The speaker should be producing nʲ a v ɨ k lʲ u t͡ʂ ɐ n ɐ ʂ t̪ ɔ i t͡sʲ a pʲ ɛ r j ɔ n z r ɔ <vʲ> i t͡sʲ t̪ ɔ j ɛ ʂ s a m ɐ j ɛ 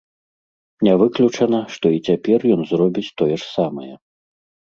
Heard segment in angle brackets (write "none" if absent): bʲ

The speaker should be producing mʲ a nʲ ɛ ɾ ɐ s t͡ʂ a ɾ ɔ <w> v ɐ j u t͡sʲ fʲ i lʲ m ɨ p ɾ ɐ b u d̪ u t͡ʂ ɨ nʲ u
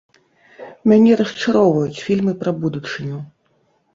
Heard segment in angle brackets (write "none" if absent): w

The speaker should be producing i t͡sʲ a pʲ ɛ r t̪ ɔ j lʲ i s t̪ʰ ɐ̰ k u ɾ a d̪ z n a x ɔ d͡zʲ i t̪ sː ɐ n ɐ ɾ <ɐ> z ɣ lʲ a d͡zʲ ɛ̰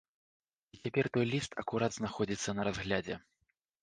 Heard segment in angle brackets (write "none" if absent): a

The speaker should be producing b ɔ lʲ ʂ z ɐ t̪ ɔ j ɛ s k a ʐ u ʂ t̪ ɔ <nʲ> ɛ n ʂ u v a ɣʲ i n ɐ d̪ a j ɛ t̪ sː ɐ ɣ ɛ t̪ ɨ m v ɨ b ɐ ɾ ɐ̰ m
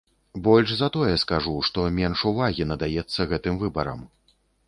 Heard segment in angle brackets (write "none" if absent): mʲ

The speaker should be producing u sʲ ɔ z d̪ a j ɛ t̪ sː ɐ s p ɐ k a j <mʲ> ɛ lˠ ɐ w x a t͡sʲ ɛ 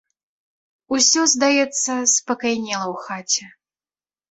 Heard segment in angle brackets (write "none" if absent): nʲ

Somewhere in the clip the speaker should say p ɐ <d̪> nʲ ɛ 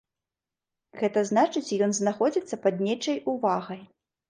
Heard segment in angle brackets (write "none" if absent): d̪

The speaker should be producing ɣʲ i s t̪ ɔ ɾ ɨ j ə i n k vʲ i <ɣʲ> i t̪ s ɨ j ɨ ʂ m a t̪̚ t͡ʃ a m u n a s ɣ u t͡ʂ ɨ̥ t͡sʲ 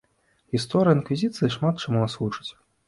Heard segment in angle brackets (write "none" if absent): zʲ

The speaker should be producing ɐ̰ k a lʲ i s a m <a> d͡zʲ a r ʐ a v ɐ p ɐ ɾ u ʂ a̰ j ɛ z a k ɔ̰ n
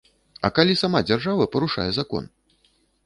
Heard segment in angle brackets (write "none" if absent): a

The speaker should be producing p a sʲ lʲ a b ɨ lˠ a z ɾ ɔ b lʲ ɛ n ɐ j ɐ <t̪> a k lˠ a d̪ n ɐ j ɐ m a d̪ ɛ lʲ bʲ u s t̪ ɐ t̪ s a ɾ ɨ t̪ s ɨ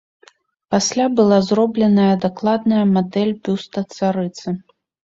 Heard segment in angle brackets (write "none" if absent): d̪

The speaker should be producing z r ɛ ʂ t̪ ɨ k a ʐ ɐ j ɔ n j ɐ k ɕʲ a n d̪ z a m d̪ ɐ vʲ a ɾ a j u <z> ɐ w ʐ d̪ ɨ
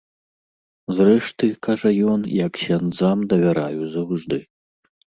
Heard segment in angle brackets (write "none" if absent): z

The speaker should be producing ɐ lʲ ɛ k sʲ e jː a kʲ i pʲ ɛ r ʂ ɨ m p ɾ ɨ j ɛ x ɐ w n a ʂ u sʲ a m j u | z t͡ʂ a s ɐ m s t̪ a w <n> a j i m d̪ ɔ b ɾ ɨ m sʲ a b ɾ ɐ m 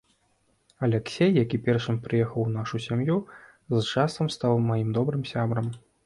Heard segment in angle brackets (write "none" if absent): m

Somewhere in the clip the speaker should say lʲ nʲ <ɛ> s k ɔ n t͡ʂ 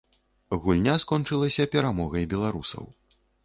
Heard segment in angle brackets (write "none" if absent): a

